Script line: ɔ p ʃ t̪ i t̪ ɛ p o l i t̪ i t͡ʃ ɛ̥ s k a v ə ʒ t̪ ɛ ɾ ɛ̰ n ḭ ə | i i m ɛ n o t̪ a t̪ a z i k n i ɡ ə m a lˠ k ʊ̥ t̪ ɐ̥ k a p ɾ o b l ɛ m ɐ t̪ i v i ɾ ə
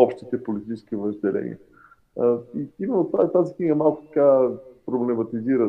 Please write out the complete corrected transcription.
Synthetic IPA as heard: ɔ p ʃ t̪ i t̪ ɛ p o l i t̪ i t͡ʃ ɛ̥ s k i v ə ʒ d̪ ɛ l ɛ̰ n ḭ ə | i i m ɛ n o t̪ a t̪ a z i k n i ɡ ə m a lˠ k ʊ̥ t̪ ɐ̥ k a p ɾ o b l ɛ m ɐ t̪ i z i ɾ ə